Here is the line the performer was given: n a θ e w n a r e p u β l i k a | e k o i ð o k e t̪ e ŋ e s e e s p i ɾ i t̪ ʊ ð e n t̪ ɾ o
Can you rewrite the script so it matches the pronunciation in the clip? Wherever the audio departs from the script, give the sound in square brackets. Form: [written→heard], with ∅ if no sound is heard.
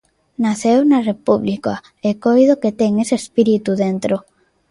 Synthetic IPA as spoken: n a θ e w n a r e p u β l i k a | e k o [i→j] ð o k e t̪ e ŋ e s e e s p i ɾ i t̪ [ʊ→u] ð e n t̪ ɾ o